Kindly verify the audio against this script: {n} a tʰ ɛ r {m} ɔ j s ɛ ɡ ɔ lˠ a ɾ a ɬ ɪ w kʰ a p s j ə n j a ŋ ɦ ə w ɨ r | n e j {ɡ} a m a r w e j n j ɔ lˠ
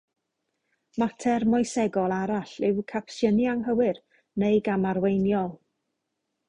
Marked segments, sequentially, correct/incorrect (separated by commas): incorrect, correct, correct